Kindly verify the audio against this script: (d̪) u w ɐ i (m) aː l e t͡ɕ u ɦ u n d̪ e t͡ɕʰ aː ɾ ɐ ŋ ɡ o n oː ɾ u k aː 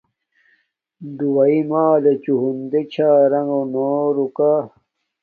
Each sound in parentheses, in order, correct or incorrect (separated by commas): correct, correct